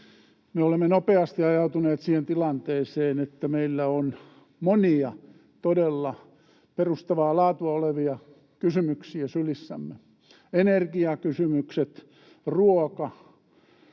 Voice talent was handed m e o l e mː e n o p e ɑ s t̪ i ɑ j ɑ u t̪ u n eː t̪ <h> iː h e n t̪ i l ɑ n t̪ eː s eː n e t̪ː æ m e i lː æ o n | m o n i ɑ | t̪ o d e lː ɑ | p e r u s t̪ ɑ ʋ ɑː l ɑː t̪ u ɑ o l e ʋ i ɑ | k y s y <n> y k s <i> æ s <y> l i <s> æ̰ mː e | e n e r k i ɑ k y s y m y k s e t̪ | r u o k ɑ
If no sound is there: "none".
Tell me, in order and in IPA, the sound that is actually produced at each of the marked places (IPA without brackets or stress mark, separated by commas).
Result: s, m, i, y, sː